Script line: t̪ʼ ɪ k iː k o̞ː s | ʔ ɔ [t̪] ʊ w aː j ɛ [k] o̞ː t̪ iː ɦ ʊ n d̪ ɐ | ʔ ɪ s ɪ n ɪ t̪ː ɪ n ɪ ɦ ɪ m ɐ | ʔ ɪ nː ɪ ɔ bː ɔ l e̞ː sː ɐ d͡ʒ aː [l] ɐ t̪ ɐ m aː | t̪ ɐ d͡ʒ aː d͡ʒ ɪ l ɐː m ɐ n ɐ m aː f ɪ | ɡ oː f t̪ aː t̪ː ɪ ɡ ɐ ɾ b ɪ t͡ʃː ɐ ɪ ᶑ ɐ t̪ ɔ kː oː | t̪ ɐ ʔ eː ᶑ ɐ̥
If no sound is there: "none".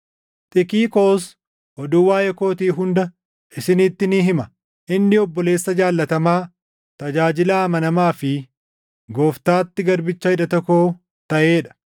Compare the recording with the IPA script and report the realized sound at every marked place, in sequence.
d̪, k, lː

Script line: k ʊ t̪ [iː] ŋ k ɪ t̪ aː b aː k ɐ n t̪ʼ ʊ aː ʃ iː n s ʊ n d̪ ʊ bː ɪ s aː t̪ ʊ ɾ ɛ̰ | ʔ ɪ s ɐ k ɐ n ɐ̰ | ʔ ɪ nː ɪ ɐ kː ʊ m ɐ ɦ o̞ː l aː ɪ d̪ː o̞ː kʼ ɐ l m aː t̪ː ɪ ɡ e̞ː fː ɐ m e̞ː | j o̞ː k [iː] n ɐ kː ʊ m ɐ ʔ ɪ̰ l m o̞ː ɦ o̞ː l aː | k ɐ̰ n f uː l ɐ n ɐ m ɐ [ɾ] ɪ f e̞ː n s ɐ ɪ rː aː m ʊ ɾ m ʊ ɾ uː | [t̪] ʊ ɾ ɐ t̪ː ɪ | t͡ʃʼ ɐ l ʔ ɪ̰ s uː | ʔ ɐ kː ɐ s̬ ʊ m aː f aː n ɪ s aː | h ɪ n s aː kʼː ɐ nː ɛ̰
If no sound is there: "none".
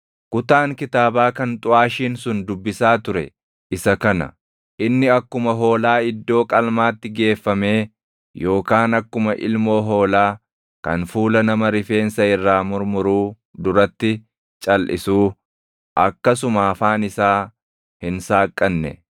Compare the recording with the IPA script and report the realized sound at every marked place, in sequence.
aː, aː, ɾ, d̪

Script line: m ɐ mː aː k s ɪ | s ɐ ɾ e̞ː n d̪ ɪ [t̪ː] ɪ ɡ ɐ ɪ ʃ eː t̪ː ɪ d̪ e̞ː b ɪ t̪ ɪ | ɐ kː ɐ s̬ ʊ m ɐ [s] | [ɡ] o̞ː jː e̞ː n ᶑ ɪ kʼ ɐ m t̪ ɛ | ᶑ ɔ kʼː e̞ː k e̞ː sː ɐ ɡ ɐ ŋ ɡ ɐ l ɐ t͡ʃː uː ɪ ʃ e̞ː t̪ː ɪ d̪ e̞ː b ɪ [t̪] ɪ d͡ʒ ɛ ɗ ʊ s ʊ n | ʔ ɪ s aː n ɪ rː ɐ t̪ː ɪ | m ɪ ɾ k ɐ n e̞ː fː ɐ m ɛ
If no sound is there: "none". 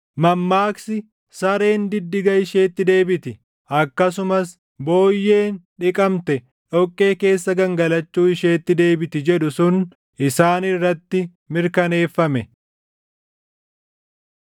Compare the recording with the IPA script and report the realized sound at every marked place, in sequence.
d̪ː, s, b, t̪

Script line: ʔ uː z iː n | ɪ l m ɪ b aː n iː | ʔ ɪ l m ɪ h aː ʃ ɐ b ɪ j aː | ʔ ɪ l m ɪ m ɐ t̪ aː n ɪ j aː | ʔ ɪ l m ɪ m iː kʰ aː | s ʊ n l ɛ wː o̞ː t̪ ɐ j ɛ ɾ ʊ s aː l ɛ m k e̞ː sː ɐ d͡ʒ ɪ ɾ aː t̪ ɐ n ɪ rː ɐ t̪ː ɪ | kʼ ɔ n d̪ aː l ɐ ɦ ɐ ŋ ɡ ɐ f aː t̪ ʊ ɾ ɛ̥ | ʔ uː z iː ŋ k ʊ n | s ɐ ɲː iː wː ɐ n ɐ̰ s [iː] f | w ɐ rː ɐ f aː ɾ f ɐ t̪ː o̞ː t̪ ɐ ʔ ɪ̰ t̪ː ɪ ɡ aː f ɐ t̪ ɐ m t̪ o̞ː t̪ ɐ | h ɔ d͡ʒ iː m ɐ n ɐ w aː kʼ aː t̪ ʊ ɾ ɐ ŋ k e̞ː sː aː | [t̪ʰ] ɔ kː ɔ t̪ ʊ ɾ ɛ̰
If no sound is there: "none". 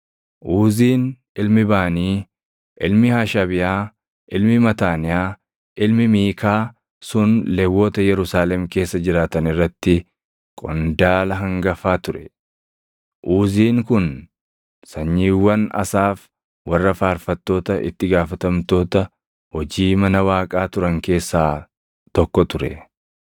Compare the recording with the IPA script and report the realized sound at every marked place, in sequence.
aː, t̪

